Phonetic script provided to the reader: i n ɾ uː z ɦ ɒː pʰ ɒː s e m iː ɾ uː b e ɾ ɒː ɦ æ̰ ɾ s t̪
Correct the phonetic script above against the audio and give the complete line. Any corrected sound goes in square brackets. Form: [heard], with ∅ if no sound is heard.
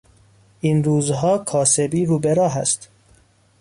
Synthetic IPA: i n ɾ uː z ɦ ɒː [kʰ] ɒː s e [b] iː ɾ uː b e ɾ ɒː ɦ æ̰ [∅] s t̪